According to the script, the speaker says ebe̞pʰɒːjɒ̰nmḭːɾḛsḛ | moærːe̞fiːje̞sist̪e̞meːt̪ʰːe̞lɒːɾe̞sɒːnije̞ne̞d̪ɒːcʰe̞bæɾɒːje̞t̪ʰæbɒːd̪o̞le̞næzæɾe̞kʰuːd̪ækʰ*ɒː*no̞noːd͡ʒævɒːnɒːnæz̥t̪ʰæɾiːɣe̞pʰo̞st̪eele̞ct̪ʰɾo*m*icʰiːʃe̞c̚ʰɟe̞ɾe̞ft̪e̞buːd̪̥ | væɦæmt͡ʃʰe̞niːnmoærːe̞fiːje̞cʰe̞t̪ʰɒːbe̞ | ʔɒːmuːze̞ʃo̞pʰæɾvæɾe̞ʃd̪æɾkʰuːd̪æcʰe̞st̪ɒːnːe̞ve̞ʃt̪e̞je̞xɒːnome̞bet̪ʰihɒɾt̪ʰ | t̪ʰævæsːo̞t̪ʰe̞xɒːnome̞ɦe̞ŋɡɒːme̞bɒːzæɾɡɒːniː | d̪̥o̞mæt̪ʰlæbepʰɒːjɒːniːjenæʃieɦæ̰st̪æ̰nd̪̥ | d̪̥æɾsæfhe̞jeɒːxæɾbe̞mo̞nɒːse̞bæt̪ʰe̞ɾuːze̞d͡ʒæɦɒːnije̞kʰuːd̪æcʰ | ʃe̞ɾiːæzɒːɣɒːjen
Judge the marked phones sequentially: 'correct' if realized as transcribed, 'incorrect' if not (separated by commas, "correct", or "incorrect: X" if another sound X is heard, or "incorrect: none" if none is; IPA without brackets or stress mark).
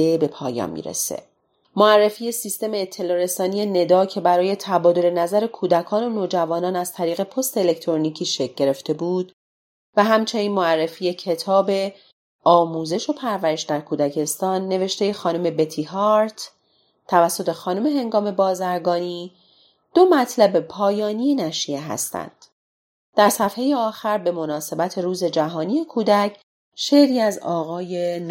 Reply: correct, incorrect: n